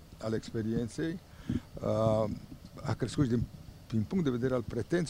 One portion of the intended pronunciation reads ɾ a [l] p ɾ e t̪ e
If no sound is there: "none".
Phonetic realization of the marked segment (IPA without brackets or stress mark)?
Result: l